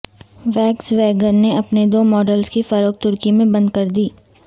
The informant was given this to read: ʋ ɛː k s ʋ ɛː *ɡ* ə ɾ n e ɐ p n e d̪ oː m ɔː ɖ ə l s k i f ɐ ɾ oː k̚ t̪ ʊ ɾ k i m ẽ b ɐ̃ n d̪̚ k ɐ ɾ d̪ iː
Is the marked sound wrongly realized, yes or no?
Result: no